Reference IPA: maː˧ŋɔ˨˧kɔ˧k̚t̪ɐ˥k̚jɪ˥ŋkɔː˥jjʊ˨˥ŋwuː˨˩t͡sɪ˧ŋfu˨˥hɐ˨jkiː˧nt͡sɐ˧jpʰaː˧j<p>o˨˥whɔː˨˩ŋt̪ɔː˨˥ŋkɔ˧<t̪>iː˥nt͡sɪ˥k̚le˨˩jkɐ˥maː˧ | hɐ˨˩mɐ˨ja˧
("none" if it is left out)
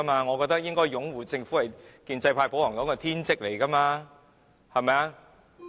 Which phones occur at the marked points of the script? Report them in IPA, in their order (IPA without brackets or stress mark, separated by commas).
p, t̪ʰ